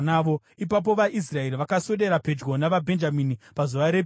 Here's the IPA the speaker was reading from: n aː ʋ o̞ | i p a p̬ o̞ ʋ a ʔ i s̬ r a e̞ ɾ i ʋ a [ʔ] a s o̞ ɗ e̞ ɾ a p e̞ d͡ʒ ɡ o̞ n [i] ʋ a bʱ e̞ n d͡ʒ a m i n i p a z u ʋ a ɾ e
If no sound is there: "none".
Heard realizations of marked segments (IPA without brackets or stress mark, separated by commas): k, a